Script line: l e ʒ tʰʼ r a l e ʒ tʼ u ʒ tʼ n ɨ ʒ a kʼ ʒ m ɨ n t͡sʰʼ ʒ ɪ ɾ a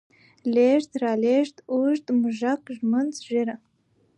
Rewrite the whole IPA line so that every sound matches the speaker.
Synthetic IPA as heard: l e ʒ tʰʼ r a l e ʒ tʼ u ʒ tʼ m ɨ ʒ a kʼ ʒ m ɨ n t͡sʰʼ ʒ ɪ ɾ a